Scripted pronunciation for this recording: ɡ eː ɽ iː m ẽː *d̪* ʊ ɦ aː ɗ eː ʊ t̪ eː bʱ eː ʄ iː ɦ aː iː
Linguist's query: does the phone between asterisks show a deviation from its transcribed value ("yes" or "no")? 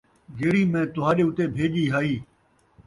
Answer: yes